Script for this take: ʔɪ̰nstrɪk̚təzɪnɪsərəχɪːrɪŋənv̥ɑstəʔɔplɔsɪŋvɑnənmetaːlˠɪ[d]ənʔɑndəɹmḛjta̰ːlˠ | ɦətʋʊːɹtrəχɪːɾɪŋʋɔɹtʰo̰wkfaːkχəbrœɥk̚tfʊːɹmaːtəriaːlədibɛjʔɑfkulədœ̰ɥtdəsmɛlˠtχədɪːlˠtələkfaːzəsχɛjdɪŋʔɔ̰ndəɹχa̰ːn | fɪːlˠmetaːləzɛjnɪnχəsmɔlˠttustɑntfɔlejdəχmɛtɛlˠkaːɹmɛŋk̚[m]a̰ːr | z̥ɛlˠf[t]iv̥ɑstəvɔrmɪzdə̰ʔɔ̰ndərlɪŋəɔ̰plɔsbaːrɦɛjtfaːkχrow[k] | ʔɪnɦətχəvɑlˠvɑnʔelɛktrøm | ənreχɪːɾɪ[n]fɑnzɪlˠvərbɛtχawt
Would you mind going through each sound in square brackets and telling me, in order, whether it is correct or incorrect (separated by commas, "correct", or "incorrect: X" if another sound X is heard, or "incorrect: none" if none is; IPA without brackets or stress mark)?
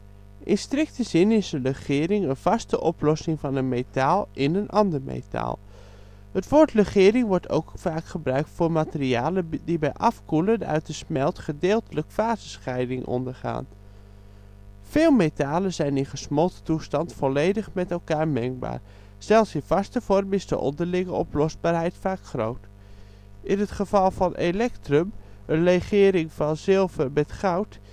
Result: incorrect: n, incorrect: b, incorrect: s, incorrect: t, incorrect: ŋ